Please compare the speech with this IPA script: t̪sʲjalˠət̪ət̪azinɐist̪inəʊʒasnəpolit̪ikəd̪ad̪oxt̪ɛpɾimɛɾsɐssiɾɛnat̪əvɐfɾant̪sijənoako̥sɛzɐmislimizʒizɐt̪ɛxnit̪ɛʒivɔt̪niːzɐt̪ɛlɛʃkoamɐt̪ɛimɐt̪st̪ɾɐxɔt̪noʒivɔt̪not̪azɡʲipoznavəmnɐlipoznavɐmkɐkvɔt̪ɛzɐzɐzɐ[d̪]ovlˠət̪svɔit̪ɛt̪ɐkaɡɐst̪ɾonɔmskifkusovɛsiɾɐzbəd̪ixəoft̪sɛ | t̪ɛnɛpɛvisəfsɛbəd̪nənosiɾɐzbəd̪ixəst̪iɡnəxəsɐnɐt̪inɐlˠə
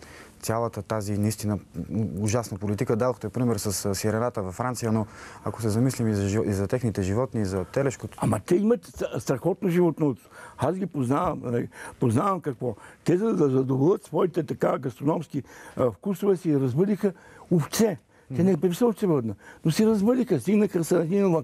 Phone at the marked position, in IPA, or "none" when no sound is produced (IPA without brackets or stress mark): d̪